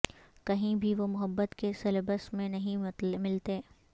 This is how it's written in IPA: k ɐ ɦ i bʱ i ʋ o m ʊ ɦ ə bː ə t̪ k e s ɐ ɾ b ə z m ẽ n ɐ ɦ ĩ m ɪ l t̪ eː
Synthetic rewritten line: k ɐ ɦ ĩ bʱ i ʋ o m ʊ ɦ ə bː ə t̪ k e s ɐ l b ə s m ẽ n ɐ ɦ ĩ m ɪ l t̪ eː

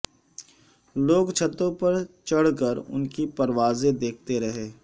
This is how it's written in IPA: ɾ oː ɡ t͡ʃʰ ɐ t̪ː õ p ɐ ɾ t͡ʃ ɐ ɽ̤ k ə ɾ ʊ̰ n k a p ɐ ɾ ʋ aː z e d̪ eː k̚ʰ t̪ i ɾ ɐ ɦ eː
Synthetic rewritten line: l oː ɡ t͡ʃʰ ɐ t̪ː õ p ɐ ɾ t͡ʃ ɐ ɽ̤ k ə ɾ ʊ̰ n k i p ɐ ɾ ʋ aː z e d̪ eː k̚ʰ t̪ e ɾ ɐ ɦ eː

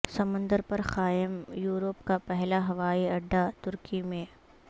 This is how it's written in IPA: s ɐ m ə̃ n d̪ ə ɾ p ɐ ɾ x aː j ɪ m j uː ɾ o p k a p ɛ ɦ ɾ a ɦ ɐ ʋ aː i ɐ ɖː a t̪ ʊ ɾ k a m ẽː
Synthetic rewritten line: s ɐ m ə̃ n d̪ ə ɾ p ɐ ɾ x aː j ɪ m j uː ɾ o p k a p ɛ ɦ l a ɦ ɐ ʋ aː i ɐ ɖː a t̪ ʊ ɾ k i m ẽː

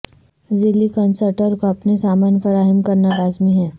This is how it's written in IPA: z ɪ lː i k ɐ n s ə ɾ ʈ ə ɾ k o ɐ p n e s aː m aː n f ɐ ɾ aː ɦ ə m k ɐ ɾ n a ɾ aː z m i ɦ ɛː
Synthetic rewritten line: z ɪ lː i k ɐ n s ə ɾ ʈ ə ɾ k o ɐ p n e s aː m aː n f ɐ ɾ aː ɦ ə m k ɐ ɾ n a ɾ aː z m i ɦ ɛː

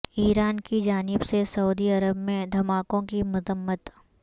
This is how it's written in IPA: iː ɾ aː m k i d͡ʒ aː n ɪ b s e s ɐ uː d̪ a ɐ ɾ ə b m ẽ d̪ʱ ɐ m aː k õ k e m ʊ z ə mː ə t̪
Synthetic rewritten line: iː ɾ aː n k i d͡ʒ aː n ɪ b s e s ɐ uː d̪ i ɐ ɾ ə b m ẽ d̪ʱ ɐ m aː k õ k i m ʊ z ə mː ə t̪

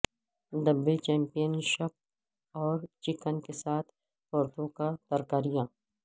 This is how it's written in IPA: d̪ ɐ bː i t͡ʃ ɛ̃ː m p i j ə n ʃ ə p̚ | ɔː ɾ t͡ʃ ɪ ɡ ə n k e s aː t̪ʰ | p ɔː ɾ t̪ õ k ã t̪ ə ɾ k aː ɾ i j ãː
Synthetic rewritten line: d̪ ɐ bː e t͡ʃ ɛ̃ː m p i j ə n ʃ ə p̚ | ɔː ɾ t͡ʃ ɪ k ə n k e s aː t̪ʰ | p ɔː ɾ t̪ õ k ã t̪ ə ɾ k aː ɾ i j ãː

